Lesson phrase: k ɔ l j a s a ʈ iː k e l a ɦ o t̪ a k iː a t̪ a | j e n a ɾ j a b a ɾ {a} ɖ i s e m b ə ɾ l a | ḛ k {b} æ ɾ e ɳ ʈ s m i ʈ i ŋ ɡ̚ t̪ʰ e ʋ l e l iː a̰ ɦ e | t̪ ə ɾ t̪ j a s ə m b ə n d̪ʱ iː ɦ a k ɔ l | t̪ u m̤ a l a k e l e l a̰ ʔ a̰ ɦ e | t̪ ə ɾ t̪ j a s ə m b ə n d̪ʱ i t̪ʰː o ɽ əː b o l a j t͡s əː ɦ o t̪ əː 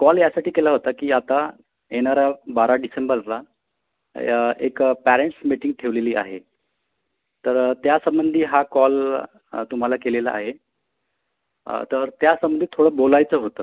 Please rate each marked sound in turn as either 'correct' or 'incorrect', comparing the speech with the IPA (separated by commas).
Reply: correct, incorrect